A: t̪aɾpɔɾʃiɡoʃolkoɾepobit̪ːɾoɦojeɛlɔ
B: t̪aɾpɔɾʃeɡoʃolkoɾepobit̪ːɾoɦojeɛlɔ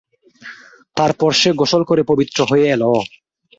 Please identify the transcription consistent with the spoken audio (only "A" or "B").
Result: B